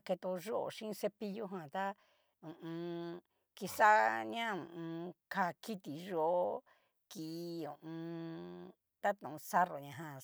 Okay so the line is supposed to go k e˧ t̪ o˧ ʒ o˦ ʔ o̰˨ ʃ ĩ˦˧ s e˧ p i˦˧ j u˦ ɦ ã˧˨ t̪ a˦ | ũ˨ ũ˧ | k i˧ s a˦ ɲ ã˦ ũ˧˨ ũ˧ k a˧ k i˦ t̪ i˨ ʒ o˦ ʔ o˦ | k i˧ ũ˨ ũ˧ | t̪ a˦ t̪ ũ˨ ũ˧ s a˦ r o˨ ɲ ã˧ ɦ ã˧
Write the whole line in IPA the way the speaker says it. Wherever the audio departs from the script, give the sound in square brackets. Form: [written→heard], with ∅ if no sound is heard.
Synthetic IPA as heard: k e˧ t̪ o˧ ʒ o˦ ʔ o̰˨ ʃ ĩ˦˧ s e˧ p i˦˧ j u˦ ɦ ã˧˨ t̪ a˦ | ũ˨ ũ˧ | k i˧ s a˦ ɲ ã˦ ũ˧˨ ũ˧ k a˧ k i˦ t̪ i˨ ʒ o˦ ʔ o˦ | k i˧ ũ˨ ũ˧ | t̪ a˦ t̪ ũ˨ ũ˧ s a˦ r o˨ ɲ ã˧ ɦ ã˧

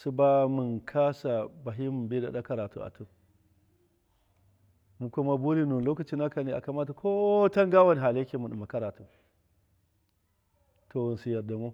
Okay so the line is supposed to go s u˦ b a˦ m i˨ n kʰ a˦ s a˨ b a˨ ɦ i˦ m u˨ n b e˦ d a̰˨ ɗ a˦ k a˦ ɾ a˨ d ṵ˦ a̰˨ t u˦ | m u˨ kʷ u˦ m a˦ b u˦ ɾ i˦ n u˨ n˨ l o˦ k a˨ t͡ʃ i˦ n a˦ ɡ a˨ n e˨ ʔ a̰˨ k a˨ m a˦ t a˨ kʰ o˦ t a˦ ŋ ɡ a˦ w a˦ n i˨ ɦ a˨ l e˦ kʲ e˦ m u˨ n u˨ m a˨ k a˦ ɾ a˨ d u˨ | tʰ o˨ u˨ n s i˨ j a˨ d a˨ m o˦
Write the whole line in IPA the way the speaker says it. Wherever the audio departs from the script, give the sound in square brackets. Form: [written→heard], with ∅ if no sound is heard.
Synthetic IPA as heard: s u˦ b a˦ m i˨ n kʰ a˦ s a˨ b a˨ ɦ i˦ m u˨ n b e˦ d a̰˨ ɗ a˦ k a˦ ɾ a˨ [d→t] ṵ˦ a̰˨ t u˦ | m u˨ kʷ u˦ m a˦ b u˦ ɾ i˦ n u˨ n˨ l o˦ k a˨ t͡ʃ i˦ n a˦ [ɡ→k] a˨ n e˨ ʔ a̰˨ k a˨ m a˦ t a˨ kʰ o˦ t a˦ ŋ ɡ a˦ w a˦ n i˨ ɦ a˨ l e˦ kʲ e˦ m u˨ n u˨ m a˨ k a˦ ɾ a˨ [d→t] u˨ | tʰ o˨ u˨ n s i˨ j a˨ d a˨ m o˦

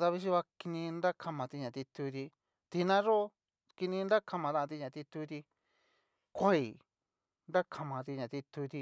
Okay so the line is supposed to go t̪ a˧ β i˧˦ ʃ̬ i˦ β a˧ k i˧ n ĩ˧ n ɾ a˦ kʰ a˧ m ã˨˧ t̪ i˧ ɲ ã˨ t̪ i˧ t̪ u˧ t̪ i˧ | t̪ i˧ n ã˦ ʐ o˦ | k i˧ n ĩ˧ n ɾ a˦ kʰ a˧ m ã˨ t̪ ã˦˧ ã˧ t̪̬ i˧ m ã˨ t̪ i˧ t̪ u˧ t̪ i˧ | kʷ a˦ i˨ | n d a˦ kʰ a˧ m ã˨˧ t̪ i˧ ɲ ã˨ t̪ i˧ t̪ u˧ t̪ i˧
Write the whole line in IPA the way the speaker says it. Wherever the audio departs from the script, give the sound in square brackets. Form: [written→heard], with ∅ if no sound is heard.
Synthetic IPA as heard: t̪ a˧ β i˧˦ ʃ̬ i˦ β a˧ k i˧ n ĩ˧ n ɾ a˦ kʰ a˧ m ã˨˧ t̪ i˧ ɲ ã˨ t̪ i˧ t̪ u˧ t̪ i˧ | t̪ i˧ n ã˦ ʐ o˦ | k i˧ n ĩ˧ n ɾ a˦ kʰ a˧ m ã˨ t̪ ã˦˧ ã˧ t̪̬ i˧ [m→ɲ] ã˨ t̪ i˧ t̪ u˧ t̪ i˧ | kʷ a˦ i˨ | n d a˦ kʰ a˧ m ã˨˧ t̪ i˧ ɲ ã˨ t̪ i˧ t̪ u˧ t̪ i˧

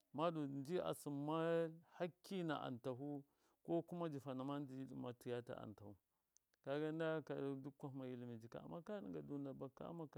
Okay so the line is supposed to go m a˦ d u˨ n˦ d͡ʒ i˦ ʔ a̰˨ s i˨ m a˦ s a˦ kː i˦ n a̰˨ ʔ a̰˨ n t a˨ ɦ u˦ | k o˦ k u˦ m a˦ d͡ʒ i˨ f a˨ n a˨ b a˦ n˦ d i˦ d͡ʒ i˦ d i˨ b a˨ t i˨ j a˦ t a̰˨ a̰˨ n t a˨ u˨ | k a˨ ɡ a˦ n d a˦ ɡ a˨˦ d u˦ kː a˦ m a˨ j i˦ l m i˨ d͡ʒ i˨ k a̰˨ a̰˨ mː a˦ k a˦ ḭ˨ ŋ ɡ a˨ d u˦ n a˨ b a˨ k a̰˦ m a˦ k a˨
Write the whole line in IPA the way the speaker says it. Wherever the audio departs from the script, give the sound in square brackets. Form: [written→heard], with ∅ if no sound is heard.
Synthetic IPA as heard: m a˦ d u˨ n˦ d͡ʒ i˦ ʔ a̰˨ s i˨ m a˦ [s→h] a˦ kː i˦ n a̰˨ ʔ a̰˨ n t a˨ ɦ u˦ | k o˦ k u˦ m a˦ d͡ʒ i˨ f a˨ n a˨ [b→m] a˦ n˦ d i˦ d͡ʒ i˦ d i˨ [b→m] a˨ t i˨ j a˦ t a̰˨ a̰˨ n t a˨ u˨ | k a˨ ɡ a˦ n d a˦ [ɡ→k] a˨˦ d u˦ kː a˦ m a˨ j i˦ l m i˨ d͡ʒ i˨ k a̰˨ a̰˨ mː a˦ k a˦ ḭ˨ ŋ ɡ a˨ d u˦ n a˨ b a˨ k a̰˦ m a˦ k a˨

